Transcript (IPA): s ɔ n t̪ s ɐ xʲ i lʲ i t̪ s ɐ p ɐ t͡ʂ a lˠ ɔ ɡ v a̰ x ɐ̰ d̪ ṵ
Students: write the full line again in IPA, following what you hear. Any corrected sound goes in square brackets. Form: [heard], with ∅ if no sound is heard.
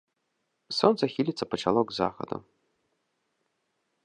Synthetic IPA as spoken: s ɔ n t̪ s ɐ xʲ i lʲ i t̪ s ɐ p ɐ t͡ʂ a lˠ ɔ ɡ [z] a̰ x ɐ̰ d̪ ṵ

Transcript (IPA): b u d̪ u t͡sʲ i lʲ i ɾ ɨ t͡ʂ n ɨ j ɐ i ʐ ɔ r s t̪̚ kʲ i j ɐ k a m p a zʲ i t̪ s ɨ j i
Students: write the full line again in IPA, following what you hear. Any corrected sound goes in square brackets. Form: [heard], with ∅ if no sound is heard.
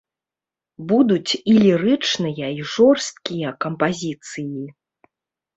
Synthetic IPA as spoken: b u d̪ u t͡sʲ i lʲ i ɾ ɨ t͡ʂ n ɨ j ɐ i ʐ ɔ r s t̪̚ kʲ i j ɐ k [ɐ] m p a zʲ i t̪ s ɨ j i

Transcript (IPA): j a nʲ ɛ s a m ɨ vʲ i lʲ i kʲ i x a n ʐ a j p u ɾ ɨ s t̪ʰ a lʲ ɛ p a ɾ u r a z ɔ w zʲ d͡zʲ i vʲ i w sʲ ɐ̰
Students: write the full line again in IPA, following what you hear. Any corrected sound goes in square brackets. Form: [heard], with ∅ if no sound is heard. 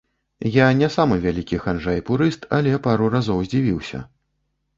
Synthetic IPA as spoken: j a nʲ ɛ s a m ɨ vʲ [a] lʲ i kʲ i x a n ʐ a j p u ɾ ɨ s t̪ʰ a lʲ ɛ p a ɾ u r a z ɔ w zʲ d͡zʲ i vʲ i w sʲ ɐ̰

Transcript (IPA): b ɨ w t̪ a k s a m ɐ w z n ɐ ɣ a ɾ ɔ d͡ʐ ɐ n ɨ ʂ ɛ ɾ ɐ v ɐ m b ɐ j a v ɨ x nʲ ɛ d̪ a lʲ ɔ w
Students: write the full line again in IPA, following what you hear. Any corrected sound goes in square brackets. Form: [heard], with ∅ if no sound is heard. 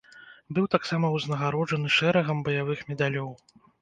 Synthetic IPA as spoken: b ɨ w t̪ a k s a m ɐ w z n ɐ ɣ a ɾ ɔ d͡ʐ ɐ n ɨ ʂ ɛ ɾ ɐ [ɣ] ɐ m b ɐ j a v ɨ x [mʲ] ɛ d̪ a lʲ ɔ w

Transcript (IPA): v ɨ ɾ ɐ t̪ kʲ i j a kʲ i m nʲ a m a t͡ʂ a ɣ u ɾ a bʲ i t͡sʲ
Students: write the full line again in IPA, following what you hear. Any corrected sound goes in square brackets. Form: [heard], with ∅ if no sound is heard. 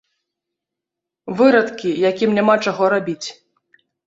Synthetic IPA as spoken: v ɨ ɾ ɐ t̪ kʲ i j a kʲ i m nʲ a m a t͡ʂ a ɣ [ɔ] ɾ a bʲ i t͡sʲ

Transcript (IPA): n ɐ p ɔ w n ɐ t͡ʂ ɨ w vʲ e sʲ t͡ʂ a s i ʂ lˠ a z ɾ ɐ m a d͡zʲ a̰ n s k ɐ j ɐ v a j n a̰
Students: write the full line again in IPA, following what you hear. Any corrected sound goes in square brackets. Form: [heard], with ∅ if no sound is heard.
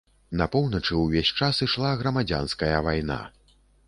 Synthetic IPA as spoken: n ɐ p ɔ w n ɐ t͡ʂ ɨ w vʲ e sʲ t͡ʂ a s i ʂ lˠ a [ɣ] ɾ ɐ m a d͡zʲ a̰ n s k ɐ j ɐ v a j n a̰

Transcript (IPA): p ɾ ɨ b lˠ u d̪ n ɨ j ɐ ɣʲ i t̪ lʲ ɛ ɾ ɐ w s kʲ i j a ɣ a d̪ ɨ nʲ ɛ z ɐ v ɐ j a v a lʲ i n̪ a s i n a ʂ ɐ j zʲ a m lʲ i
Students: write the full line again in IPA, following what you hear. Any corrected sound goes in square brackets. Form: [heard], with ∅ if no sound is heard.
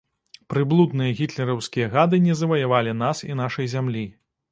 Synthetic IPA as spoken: p ɾ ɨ b lˠ u d̪ n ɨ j ɐ ɣʲ i t̪ lʲ ɛ ɾ ɐ w s kʲ i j [ɐ] ɣ a d̪ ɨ nʲ ɛ z ɐ v ɐ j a v a lʲ i n̪ a s i n a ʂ ɐ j zʲ a m lʲ i

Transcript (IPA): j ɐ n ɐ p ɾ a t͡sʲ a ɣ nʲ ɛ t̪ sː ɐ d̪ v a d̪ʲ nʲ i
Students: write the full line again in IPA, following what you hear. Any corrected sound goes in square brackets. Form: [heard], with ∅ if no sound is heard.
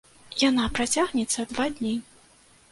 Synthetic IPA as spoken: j [a] n [a] p ɾ a t͡sʲ a ɣ nʲ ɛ t̪ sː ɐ d̪ v a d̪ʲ nʲ i

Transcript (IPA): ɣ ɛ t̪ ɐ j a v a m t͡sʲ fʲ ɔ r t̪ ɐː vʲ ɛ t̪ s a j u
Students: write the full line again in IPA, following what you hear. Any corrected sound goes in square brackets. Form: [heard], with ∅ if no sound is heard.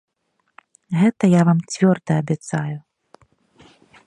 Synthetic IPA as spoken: ɣ ɛ t̪ ɐ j a v a m t͡sʲ [vʲ] ɔ r [d̪] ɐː [bʲ] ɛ t̪ s a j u

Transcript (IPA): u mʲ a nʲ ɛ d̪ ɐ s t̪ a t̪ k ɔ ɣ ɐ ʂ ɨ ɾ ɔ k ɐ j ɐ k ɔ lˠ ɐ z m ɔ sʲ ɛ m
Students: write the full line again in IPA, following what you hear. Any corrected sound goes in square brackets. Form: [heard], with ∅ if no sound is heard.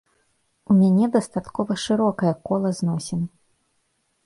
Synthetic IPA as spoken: u mʲ a nʲ ɛ d̪ ɐ s t̪ a t̪ k ɔ [v] ɐ ʂ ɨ ɾ ɔ k ɐ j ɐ k ɔ lˠ ɐ z [n] ɔ sʲ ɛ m

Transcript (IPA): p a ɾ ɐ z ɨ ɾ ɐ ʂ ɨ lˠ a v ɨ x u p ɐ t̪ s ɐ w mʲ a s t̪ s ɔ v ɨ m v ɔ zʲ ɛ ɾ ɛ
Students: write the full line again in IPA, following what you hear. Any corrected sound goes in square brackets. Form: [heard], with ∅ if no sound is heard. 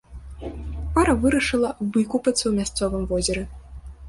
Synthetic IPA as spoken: p a ɾ ɐ [v] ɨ ɾ ɐ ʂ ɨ lˠ [ɐ] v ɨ [k] u p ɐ t̪ s ɐ w mʲ a s t̪ s ɔ v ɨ m v ɔ zʲ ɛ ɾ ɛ

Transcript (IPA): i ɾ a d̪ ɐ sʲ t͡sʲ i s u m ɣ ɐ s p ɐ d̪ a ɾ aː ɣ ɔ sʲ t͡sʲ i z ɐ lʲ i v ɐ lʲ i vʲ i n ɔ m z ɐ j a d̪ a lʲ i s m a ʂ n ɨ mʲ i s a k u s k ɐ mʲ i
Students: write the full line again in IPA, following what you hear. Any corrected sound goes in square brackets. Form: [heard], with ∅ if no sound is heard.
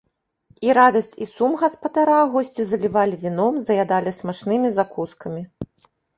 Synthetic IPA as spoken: i ɾ a d̪ ɐ sʲ t͡sʲ i s u m ɣ ɐ s p ɐ d̪ a ɾ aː ɣ ɔ sʲ t͡sʲ i z ɐ lʲ i v [a] lʲ i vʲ i n ɔ m z ɐ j a d̪ a lʲ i s m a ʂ n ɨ mʲ i [z] a k u s k ɐ mʲ i

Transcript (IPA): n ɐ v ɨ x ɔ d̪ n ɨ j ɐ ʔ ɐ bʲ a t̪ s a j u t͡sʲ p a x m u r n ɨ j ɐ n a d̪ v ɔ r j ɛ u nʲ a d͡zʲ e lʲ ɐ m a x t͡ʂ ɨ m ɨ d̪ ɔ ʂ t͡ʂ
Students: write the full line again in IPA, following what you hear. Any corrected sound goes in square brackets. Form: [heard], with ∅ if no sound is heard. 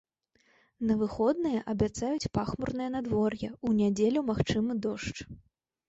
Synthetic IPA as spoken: n ɐ v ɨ x ɔ d̪ n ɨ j ɐ ʔ ɐ bʲ a t̪ s a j u t͡sʲ p a x m u r n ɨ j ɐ n a d̪ v ɔ r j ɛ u nʲ a d͡zʲ e lʲ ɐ m a x t͡ʂ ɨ m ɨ d̪ ɔ ʂ t͡ʂ

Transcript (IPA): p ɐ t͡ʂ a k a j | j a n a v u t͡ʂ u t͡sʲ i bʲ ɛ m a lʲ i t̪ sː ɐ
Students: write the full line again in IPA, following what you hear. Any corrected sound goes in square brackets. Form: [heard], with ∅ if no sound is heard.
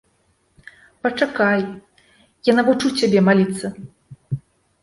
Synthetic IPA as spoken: p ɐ t͡ʂ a k a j | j a n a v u t͡ʂ u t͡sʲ [a] bʲ ɛ m a lʲ i t̪ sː ɐ

